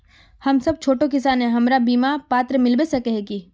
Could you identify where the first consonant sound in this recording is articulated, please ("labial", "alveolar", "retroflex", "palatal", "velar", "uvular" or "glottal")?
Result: glottal